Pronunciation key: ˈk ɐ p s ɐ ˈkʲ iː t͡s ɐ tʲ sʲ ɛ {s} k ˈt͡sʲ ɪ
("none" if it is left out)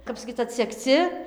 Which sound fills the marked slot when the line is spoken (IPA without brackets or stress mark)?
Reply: none